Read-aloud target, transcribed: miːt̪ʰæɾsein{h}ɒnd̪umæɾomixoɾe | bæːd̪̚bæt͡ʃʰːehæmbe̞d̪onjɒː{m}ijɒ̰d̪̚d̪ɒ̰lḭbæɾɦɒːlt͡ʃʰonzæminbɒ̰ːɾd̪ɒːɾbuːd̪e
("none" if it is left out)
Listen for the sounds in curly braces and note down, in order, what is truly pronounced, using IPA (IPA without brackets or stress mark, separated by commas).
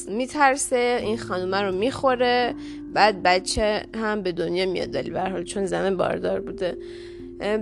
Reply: x, m